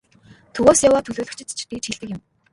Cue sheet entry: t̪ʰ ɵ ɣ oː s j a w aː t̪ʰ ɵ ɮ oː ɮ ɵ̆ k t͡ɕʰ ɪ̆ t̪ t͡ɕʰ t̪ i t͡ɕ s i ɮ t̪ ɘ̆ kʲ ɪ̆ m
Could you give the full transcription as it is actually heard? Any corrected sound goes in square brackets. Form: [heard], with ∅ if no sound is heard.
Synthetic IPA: t̪ʰ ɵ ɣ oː s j a w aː t̪ʰ ɵ ɮ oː ɮ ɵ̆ k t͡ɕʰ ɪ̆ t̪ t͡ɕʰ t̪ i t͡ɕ [x] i ɮ t̪ ɘ̆ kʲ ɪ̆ m

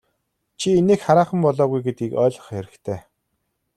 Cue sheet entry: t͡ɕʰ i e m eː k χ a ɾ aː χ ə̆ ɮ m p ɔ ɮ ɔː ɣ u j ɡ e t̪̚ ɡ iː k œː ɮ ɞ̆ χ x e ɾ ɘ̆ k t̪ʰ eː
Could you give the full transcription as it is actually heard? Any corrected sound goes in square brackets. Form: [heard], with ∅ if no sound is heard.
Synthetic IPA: t͡ɕʰ i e [n] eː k χ a ɾ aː χ ə̆ [∅] m p ɔ ɮ ɔː ɣ u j ɡ e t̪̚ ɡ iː k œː ɮ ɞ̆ χ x e ɾ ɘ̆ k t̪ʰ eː

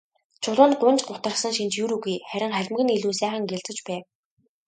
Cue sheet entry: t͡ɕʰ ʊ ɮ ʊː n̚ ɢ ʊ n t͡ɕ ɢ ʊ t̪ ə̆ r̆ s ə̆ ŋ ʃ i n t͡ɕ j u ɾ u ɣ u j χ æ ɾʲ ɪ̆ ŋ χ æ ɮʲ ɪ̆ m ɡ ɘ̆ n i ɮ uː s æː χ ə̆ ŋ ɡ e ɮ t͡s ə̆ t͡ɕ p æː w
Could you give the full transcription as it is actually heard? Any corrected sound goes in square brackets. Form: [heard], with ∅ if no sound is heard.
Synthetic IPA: t͡ɕʰ ʊ ɮ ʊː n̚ ɢ ʊ n t͡ɕ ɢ ʊ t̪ ə̆ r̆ s ə̆ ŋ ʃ i n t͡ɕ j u ɾ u ɣ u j χ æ ɾʲ ɪ̆ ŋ χ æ ɮʲ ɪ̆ m ɡ ɘ̆ n i ɮ uː s æː χ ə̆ ŋ ɡ e ɮ t͡s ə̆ t͡ɕ p æː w

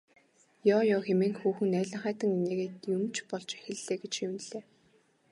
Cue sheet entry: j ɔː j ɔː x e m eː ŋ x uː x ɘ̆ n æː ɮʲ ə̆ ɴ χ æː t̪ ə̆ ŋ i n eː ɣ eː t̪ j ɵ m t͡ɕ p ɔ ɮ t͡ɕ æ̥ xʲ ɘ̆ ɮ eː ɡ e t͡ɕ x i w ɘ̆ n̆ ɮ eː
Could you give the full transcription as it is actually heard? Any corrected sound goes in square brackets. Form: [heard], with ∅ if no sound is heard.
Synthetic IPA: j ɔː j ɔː x e m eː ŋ x uː x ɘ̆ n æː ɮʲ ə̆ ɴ χ æː t̪ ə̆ ŋ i n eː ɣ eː t̪ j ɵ m t͡ɕ p ɔ ɮ t͡ɕ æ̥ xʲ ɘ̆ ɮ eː ɡ e t͡ɕ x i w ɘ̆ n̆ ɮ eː

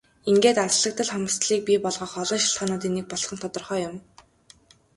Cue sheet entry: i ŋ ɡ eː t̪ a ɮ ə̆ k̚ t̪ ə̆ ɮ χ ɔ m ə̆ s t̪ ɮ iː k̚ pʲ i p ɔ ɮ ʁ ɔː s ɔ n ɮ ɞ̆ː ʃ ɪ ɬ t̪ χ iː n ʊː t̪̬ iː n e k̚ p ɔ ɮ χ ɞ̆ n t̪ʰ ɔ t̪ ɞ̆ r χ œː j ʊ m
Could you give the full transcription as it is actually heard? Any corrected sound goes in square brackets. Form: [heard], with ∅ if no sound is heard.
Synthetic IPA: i ŋ ɡ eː t̪ a ɮ ə̆ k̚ t̪ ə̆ ɮ χ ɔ m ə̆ s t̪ ɮ iː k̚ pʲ i p ɔ ɮ ʁ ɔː [χ] ɔ [∅] ɮ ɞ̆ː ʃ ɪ ɬ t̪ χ [aː] n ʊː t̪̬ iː n e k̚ p ɔ ɮ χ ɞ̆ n t̪ʰ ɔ t̪ ɞ̆ r χ œː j ʊ m

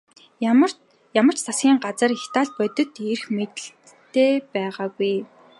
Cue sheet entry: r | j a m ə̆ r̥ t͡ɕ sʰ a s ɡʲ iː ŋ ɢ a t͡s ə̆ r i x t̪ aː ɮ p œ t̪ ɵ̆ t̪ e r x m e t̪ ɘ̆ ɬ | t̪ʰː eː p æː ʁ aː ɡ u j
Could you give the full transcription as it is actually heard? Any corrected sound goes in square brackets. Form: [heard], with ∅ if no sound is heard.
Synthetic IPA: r | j a m ə̆ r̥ t͡ɕ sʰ a s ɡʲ iː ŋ ɢ a t͡s ə̆ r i x t̪ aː ɮ p œ t̪ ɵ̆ t̪ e r x m e t̪ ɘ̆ ɬ | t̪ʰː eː p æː ʁ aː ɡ u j

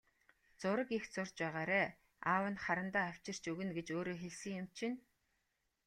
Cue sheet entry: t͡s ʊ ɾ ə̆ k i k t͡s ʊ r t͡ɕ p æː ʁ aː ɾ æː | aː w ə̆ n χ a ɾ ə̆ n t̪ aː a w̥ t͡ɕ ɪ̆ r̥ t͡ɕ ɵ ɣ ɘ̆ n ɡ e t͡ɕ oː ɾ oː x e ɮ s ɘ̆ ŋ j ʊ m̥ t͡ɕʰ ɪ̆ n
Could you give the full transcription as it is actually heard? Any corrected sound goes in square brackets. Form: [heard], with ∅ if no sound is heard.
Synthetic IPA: t͡s ʊ ɾ ə̆ k i [x] t͡s ʊ r t͡ɕ p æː ʁ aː ɾ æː | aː w ə̆ n χ a ɾ ə̆ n t̪ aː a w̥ t͡ɕ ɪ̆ r̥ t͡ɕ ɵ ɣ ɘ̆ n ɡ e t͡ɕ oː ɾ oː x e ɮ s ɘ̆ ŋ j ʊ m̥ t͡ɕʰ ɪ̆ n

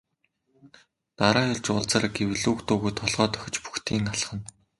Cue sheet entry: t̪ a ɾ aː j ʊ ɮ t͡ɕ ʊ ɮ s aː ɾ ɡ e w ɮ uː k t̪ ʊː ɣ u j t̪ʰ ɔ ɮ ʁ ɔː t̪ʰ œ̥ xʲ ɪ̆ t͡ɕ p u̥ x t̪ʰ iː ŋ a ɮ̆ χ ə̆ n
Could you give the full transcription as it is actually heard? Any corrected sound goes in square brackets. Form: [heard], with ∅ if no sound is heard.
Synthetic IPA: t̪ a ɾ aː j ʊ ɮ t͡ɕ ʊ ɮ [t͡s] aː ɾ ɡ e w ɮ uː k t̪ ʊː ɣ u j t̪ʰ ɔ ɮ ʁ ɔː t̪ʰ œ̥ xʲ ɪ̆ t͡ɕ p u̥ x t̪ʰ iː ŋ a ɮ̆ χ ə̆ n

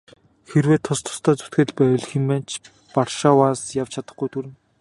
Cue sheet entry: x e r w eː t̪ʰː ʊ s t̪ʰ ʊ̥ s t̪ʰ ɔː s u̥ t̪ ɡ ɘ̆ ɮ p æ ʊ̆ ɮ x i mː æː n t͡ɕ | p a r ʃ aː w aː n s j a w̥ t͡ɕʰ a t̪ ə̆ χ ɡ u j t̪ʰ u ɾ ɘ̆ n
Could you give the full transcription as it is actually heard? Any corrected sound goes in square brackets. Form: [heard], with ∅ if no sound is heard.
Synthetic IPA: x e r w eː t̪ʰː ʊ s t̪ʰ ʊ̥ s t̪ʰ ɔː [t͡s] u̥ t̪ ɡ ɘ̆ ɮ p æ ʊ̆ ɮ x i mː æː n t͡ɕ | p a r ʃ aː w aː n s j a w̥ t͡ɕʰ a t̪ ə̆ χ ɡ u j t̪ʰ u ɾ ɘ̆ n

